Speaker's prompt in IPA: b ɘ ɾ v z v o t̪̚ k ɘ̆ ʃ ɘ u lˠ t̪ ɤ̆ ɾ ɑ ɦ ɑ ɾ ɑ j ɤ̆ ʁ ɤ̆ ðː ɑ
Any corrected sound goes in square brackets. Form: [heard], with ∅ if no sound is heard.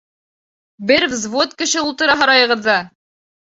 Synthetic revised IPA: b ɘ ɾ v z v o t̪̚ k ɘ̆ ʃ ɘ u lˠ t̪ ɤ̆ ɾ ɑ ɦ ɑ ɾ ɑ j ɤ̆ ʁ ɤ̆ ðː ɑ